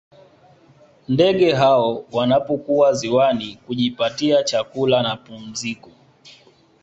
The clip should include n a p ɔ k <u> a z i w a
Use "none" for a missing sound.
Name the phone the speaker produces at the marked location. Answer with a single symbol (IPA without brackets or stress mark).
u